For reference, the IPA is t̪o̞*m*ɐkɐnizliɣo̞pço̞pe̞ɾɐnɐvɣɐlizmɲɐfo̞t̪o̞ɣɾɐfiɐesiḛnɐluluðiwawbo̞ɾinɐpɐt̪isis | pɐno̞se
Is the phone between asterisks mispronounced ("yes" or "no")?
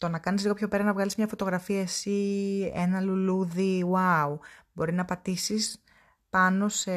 yes